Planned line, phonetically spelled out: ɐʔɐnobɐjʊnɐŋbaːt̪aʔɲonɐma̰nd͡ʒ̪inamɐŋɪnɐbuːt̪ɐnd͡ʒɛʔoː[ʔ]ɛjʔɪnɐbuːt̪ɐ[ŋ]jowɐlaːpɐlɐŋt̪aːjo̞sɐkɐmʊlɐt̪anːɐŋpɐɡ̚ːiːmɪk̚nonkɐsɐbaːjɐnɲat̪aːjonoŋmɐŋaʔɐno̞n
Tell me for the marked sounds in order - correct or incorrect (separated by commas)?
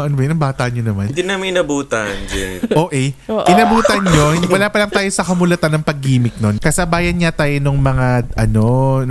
correct, incorrect